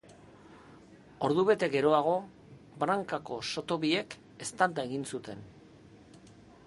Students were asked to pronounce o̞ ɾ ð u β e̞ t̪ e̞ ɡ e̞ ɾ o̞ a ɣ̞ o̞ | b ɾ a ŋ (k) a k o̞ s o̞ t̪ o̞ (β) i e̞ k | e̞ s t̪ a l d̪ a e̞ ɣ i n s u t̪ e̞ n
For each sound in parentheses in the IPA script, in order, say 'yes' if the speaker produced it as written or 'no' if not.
yes, yes

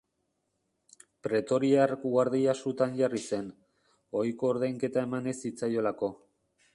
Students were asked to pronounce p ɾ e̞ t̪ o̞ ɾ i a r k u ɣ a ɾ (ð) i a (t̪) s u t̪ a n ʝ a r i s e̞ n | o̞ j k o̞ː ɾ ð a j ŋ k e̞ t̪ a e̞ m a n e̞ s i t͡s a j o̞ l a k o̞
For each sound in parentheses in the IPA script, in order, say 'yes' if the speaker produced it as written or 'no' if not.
yes, no

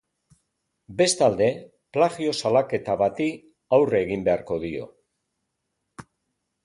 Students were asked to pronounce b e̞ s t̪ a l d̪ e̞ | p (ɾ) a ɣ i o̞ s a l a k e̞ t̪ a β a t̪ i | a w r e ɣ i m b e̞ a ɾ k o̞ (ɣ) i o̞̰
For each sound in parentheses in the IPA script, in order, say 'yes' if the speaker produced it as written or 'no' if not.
no, no

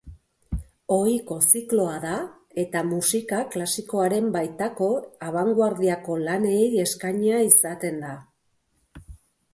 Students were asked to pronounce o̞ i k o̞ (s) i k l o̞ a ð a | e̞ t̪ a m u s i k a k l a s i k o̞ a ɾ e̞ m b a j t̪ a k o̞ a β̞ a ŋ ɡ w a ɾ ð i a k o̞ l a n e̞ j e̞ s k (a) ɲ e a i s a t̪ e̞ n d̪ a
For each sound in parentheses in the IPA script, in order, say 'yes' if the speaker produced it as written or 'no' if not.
yes, yes

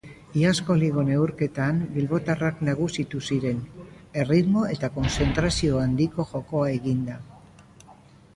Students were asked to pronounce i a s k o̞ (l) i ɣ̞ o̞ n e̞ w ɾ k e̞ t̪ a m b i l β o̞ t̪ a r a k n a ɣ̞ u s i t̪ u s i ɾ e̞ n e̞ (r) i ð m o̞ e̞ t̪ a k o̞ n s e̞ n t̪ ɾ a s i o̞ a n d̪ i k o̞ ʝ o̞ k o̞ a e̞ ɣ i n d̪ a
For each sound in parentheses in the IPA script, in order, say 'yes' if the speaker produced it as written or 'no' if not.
yes, yes

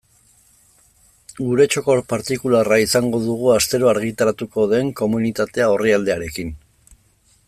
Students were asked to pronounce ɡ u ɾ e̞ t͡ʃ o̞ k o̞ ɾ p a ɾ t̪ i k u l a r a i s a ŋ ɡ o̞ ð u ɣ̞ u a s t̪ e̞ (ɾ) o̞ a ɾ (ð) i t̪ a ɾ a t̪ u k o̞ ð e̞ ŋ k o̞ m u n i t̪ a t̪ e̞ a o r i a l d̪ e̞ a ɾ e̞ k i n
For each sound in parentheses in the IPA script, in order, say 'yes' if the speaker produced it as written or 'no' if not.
yes, no

